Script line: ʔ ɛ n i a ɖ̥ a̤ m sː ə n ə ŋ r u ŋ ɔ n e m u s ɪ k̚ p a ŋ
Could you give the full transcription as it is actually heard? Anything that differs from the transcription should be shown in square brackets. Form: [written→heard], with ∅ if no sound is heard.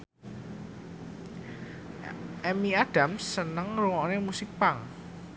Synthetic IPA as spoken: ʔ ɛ [n→m] i a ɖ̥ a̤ m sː ə n ə ŋ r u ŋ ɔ n e m u s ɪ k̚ p a ŋ